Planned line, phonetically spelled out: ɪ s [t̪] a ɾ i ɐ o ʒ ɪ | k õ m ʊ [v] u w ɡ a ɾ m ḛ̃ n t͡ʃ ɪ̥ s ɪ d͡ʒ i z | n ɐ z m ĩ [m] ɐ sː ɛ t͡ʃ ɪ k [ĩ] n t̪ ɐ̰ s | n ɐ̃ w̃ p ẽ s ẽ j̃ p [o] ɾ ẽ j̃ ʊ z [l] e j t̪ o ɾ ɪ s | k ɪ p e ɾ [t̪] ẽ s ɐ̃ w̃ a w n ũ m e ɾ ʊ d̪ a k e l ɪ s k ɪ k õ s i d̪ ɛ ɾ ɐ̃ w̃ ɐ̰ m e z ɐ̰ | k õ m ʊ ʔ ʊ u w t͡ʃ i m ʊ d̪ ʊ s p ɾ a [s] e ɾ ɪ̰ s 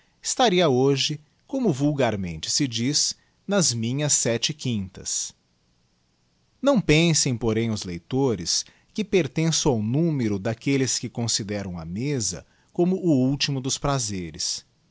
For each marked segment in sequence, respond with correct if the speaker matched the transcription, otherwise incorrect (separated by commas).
correct, correct, incorrect, correct, correct, correct, correct, incorrect